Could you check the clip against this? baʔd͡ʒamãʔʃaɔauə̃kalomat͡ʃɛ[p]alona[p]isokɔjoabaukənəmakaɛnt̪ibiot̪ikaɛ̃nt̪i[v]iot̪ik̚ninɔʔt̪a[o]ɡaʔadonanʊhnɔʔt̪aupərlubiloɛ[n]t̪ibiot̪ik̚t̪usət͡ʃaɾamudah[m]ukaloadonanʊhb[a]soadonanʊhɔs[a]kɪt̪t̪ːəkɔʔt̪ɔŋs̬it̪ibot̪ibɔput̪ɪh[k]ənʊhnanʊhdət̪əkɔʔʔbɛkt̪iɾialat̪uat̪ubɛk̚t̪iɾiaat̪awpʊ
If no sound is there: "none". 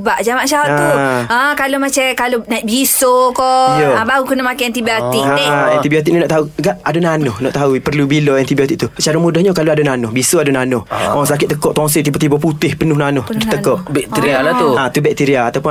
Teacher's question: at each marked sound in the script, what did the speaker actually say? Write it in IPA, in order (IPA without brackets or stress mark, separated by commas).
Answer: k, b, b, u, n, ɲ, i, a, p